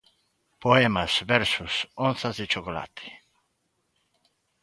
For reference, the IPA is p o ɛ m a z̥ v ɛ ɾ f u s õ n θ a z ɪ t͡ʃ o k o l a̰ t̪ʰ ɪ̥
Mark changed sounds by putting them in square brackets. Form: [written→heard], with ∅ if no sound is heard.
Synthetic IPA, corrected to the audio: p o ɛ m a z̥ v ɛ ɾ [f→s] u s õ n θ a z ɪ t͡ʃ o k o l a̰ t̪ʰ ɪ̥